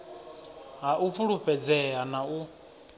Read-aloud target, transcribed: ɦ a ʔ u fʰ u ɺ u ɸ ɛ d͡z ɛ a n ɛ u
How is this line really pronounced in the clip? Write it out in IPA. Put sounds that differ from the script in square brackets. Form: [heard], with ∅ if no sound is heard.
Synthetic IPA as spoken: ɦ a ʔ u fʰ u ɺ u ɸ ɛ d͡z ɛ a n [a] u